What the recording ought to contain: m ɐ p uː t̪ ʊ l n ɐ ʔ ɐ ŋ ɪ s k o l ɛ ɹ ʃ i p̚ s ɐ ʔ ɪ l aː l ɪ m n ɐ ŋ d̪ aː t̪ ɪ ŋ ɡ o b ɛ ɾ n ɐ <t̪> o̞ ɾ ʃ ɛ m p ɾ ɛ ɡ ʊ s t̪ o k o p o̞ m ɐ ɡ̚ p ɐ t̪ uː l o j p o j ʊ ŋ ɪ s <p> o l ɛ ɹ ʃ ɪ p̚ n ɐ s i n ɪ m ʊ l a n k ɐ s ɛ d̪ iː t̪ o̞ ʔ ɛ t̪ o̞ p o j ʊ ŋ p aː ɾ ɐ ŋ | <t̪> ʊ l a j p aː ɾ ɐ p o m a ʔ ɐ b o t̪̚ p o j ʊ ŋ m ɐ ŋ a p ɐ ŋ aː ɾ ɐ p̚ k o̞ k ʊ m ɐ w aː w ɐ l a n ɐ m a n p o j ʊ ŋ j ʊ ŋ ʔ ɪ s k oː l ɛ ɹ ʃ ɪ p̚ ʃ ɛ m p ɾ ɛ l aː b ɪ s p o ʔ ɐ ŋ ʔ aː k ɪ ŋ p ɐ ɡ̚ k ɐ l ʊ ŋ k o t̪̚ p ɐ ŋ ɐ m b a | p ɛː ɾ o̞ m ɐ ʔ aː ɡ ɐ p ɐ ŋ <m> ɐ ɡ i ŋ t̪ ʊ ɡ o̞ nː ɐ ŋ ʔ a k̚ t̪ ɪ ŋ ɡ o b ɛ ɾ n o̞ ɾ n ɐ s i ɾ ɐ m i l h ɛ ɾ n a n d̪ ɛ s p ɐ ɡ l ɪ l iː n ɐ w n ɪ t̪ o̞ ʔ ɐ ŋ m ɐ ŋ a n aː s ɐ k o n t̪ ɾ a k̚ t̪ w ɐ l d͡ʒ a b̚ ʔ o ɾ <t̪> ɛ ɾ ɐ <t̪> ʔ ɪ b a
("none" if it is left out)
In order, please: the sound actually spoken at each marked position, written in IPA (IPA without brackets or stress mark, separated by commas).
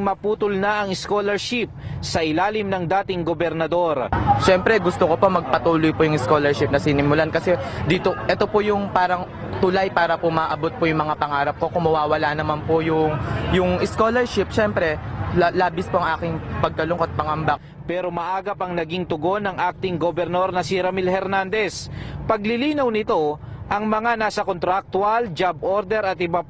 d̪, k, t̪, n, d̪, t̪